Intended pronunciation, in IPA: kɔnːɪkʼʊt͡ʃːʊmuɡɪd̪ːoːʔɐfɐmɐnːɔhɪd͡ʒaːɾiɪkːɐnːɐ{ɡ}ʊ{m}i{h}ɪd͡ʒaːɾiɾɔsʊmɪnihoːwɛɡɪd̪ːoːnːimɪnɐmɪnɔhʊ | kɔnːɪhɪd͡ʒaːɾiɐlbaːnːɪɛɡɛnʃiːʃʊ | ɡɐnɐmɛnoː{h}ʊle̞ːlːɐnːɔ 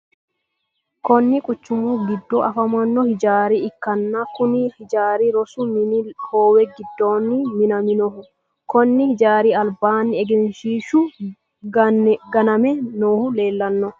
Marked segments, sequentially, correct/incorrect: incorrect: k, incorrect: n, correct, correct

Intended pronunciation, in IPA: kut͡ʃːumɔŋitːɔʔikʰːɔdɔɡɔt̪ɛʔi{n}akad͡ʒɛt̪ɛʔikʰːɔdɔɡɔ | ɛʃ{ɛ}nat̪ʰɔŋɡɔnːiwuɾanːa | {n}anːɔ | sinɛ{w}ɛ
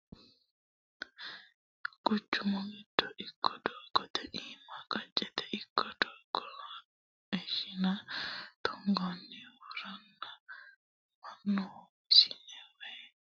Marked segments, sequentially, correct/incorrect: incorrect: m, incorrect: i, incorrect: m, correct

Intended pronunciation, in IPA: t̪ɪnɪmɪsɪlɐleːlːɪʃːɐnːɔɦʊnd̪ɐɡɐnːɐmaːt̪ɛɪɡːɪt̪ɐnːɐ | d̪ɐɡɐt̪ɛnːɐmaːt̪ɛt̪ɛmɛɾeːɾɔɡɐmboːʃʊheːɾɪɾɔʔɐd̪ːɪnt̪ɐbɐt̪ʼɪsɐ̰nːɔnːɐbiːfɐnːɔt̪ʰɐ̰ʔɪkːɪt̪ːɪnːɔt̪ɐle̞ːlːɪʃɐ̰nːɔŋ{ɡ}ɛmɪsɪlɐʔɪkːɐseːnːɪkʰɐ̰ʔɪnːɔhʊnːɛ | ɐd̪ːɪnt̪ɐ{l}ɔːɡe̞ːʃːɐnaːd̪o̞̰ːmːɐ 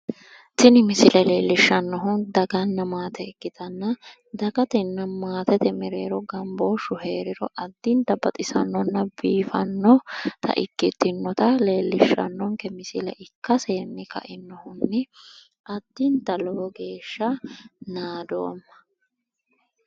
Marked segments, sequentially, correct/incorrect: incorrect: k, correct

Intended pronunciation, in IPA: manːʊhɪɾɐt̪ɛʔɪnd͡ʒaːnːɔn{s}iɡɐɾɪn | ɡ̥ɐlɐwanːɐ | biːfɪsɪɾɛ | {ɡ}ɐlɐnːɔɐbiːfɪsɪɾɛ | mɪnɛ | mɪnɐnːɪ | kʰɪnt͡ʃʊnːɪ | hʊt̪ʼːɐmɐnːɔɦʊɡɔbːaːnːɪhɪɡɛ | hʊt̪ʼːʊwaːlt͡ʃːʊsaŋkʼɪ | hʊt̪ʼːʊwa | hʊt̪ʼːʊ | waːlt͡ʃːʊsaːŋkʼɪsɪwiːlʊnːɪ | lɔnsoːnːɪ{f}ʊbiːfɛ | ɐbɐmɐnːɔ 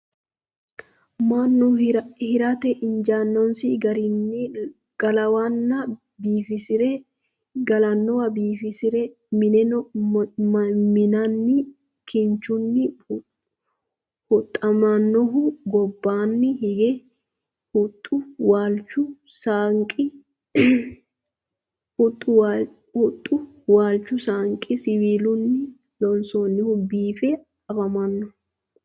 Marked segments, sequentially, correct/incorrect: correct, correct, incorrect: h

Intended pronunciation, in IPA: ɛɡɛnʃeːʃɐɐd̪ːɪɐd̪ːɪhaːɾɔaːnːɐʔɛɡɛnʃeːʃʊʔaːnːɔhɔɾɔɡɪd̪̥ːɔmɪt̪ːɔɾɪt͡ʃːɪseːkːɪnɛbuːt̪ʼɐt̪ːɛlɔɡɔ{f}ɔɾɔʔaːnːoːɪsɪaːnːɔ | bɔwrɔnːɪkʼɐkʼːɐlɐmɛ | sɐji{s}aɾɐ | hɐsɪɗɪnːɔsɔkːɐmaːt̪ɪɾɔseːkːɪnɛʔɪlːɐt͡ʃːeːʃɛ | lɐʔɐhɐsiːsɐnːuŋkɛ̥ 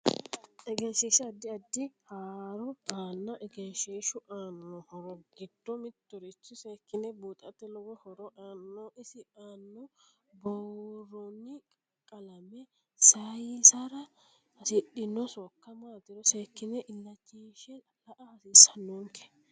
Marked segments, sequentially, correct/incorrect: incorrect: h, correct

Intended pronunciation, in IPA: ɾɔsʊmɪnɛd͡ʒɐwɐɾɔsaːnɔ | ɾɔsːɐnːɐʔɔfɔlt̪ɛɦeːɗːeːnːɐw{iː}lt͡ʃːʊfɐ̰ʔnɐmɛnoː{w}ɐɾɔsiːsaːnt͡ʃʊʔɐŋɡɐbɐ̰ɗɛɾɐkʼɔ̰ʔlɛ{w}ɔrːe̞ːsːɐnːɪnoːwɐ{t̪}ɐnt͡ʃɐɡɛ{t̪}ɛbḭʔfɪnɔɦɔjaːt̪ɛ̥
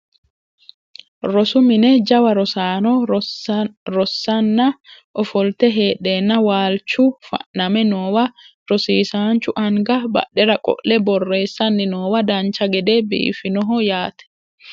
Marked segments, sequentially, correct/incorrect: incorrect: aː, correct, incorrect: b, incorrect: d̪, incorrect: d̪

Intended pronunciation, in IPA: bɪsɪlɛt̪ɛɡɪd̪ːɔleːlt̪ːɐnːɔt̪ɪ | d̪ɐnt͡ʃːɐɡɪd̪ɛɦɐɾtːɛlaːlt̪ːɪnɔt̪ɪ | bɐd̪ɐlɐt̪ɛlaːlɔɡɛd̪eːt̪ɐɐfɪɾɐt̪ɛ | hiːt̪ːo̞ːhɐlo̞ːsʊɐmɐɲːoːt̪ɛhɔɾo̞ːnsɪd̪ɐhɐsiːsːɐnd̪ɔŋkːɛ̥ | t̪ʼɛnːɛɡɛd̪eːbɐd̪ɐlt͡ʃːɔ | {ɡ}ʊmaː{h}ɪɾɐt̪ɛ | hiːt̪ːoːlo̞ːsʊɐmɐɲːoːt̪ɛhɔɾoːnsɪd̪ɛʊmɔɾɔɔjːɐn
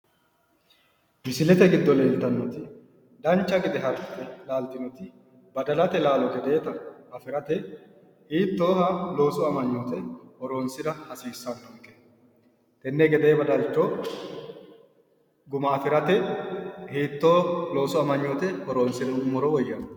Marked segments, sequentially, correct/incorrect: correct, incorrect: f

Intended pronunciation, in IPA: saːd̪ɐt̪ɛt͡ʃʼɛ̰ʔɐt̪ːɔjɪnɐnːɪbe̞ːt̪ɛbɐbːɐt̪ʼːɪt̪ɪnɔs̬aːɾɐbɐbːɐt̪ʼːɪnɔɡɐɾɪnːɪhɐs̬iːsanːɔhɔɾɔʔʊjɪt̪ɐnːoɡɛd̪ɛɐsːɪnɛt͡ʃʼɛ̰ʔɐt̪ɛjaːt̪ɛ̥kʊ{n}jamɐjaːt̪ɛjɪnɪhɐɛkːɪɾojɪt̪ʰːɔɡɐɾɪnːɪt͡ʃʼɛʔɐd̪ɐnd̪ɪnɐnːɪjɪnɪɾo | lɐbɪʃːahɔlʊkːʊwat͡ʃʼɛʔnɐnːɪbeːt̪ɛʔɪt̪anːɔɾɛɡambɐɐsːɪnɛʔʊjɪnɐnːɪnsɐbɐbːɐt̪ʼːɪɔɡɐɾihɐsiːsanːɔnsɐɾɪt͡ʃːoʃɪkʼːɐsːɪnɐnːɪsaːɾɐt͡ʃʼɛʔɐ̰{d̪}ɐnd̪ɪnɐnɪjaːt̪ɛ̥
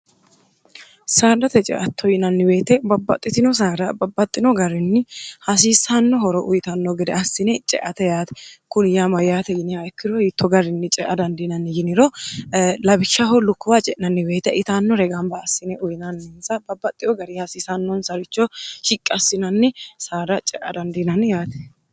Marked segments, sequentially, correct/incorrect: correct, correct

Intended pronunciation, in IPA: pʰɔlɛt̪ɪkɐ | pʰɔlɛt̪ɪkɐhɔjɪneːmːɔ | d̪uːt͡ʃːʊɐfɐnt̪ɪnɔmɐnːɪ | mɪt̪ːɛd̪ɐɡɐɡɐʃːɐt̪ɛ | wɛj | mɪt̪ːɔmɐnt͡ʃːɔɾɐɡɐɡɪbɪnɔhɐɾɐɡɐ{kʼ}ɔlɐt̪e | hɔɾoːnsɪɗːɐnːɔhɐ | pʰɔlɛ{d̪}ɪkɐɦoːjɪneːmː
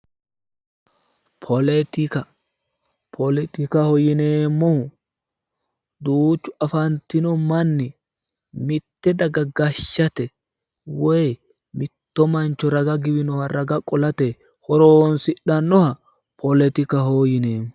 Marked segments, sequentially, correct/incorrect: correct, incorrect: t̪

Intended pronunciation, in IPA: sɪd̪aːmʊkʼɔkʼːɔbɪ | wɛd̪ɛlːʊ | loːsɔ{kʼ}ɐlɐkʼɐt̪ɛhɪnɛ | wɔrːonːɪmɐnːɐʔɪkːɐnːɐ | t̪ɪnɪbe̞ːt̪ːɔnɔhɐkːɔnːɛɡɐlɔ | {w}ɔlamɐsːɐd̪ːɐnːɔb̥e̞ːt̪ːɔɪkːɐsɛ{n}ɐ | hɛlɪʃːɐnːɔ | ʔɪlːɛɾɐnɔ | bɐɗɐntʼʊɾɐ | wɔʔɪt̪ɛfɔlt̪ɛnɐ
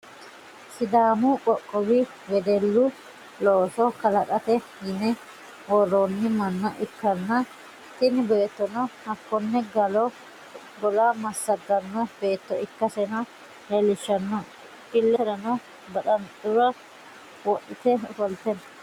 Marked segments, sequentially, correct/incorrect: incorrect: k, incorrect: b, correct

